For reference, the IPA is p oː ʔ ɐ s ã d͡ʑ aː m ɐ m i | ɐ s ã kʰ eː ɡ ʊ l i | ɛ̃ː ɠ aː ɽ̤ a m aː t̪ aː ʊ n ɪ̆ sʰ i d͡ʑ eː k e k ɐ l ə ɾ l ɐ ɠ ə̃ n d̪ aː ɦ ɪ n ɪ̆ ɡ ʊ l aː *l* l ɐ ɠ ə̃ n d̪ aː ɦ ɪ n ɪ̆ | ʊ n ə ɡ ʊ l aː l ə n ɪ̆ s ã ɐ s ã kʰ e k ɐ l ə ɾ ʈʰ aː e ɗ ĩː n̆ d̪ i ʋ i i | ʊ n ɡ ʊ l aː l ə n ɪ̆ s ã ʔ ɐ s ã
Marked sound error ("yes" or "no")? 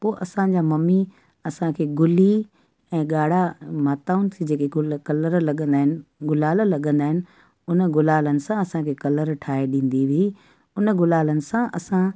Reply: no